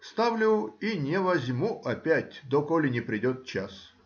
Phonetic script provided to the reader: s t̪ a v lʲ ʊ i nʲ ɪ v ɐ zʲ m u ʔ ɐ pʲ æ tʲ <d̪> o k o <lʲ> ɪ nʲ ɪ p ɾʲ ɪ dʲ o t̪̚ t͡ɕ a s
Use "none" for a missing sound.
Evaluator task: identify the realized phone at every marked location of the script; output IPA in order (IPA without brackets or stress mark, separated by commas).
d̪, lʲ